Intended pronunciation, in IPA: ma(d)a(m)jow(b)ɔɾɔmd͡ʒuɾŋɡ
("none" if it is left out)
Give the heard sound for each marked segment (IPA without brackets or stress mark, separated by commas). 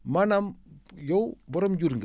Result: n, m, b